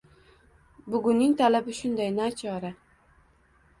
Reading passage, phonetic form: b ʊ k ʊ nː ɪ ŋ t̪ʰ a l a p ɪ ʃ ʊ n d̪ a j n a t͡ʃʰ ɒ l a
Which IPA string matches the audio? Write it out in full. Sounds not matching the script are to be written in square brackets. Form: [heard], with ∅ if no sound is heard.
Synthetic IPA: b ʊ [ɡ] ʊ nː ɪ ŋ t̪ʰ a l a [b] ɪ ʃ ʊ n d̪ a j n a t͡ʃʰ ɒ [ɾ] a

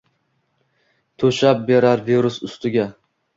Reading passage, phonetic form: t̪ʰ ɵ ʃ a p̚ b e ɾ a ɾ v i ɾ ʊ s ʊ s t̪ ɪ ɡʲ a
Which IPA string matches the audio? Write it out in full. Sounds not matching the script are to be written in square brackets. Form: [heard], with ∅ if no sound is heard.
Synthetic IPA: t̪ʰ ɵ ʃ a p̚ b e ɾ a ɾ v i ɾ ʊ s ʊ s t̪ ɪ ɡʲ a

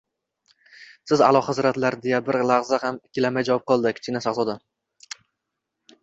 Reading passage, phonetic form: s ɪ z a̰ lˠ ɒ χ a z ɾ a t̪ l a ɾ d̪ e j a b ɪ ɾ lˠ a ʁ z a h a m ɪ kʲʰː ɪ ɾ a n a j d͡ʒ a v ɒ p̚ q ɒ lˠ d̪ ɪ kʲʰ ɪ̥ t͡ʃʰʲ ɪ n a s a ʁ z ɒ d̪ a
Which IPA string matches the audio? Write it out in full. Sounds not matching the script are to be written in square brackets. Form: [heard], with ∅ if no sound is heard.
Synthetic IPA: s ɪ z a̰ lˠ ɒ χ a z ɾ a t̪ l a ɾ d̪ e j a b ɪ ɾ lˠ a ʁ z a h a m ɪ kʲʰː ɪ [l] a [m] a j d͡ʒ a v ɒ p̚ q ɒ lˠ d̪ ɪ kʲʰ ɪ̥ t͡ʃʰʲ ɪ n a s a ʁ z ɒ d̪ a

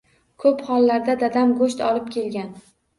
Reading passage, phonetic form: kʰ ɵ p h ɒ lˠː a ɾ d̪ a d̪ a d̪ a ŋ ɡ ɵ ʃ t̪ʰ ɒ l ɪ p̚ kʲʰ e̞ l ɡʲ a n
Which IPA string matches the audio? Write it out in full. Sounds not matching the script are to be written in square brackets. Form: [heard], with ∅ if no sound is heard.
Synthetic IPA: kʰ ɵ p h ɒ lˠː a ɾ d̪ a d̪ a d̪ a [m] ɡ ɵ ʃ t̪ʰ ɒ l ɪ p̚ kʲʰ e̞ l ɡʲ a n

